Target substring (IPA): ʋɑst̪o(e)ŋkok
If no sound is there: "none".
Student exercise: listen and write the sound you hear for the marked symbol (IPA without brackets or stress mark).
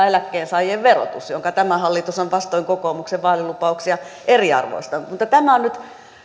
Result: i